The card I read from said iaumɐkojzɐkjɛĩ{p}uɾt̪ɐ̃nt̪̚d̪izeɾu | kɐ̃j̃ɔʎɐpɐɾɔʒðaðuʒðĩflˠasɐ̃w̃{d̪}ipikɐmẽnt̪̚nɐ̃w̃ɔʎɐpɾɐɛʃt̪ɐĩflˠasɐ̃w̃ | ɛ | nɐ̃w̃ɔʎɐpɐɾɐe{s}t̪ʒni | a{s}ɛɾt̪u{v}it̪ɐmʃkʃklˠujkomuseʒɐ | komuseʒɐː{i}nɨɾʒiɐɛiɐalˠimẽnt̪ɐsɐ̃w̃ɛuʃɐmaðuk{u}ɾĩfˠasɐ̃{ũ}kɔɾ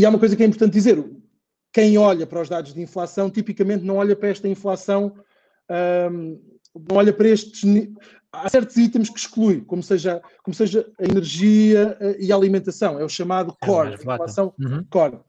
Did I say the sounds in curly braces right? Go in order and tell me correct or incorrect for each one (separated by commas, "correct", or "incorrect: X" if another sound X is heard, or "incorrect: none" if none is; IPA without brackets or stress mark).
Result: correct, incorrect: t̪, incorrect: ʃ, correct, incorrect: z, correct, incorrect: ɔ, incorrect: w̃